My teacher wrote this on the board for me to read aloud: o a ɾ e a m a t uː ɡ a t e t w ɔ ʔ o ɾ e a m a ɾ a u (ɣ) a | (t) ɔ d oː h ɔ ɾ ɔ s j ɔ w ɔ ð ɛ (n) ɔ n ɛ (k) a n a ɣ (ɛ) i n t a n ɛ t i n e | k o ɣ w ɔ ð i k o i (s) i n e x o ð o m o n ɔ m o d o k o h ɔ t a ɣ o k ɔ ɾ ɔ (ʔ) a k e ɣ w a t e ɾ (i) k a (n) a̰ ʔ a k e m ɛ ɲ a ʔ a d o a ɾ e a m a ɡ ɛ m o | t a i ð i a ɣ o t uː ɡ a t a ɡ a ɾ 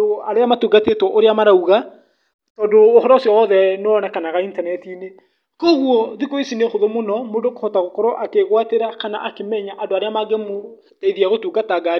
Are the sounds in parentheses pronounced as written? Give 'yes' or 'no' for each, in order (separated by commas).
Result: yes, yes, yes, yes, no, yes, yes, no, yes